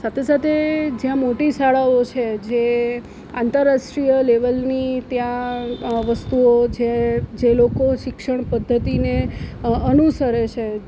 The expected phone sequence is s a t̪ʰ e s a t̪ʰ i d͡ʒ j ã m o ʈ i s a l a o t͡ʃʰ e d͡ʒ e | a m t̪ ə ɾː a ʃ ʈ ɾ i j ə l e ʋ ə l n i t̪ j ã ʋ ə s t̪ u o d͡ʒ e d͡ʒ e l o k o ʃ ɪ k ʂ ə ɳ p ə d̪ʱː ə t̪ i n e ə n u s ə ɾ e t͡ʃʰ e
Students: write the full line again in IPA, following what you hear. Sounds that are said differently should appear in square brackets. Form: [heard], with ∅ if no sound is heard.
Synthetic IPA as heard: s a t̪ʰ e s a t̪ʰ [e] d͡ʒ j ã m o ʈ i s a [ɭ] a o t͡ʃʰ e d͡ʒ e | a [n] t̪ ə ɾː a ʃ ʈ ɾ i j ə l e ʋ ə l n i t̪ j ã ʋ ə s t̪ u o d͡ʒ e d͡ʒ e l o k o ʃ ɪ k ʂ ə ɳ p ə d̪ʱː ə t̪ i n e ə n u s ə ɾ e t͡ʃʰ e